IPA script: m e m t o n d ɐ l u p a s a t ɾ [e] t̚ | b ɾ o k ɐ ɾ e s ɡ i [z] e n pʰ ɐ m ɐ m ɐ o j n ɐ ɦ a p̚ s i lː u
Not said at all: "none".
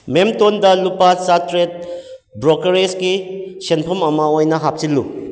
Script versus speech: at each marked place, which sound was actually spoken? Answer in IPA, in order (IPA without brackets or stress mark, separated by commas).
e, s